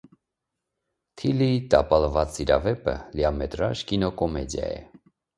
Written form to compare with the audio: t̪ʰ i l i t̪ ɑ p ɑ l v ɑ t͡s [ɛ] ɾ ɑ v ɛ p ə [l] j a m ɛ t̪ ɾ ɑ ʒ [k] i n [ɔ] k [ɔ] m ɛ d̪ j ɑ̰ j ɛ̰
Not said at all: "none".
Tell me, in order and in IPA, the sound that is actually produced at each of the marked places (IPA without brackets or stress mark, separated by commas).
i, l, k, ɔ, ɔ